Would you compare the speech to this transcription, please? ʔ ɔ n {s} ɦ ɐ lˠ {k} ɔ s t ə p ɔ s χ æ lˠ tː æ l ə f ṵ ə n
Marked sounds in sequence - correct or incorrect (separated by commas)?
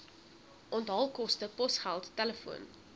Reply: incorrect, correct